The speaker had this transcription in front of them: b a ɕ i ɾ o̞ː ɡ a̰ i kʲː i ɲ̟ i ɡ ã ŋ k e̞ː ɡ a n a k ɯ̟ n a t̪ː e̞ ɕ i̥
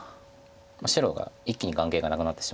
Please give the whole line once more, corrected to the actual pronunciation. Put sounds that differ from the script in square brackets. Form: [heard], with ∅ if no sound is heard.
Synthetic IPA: [m] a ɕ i ɾ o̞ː ɡ a̰ i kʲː i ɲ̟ i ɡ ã ŋ k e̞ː ɡ a n a k ɯ̟ n a t̪ː e̞ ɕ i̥